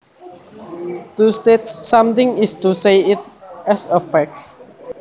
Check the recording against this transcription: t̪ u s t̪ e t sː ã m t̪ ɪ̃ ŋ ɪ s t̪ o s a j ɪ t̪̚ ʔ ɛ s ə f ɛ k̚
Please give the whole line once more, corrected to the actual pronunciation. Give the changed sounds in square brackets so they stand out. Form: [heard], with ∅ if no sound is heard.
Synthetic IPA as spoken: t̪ u s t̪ e t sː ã m t̪ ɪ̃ ŋ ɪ s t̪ [u] s [e] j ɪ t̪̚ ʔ ɛ s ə f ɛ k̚